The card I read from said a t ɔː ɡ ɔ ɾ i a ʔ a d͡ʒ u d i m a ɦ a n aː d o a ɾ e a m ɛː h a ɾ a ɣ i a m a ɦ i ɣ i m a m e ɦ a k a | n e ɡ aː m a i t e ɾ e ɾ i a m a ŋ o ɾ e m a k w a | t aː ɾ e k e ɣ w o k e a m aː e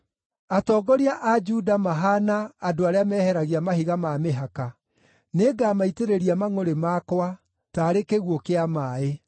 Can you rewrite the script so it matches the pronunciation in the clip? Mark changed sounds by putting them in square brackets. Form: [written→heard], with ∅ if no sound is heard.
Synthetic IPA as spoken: a t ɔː ɡ ɔ ɾ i a ʔ a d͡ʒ u d [i→a] m a ɦ a n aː d o a ɾ e a m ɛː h [a→ɛ] ɾ a ɣ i a m a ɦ i ɣ [i→a] m a m e ɦ a k a | n e ɡ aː m a i t e ɾ e ɾ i a m a ŋ o ɾ e m a k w a | t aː ɾ e k e ɣ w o k e a m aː e